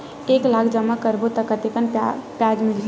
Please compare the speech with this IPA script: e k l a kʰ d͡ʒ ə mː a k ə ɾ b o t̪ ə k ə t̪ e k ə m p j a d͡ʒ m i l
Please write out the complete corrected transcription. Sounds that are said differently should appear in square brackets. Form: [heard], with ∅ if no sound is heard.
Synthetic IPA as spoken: e k l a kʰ d͡ʒ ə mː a k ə ɾ b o t̪ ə k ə t̪ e k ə [n] p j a d͡ʒ m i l